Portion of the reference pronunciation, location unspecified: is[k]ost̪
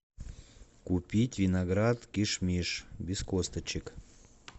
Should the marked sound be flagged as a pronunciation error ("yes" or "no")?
no